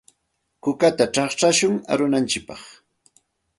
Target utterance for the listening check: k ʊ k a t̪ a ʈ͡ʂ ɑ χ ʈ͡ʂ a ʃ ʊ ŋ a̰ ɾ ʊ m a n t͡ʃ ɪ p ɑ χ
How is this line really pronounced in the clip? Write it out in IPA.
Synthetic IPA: k ʊ k a t̪ a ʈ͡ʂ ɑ χ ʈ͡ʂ a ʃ ʊ ŋ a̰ ɾ ʊ n a n t͡ʃ ɪ p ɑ χ

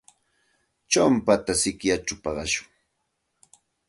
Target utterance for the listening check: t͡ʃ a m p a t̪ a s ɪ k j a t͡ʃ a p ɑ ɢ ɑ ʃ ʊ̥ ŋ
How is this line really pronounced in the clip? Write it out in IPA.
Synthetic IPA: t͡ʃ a m p a t̪ a s ɪ k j a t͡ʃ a p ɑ ɢ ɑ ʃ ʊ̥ ŋ

